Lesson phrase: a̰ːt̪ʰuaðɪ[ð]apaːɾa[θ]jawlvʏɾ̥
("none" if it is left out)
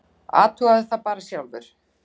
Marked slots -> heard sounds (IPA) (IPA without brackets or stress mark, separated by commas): θ, s